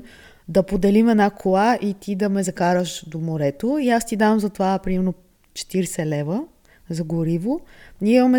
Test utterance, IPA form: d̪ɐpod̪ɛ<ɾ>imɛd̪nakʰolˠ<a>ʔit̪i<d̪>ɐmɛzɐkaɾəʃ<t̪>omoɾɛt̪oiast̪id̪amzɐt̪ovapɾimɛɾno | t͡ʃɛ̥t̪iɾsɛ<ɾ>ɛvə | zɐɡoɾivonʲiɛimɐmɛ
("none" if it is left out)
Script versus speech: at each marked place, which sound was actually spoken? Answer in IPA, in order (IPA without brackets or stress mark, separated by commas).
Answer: l, a, d̪, d̪, l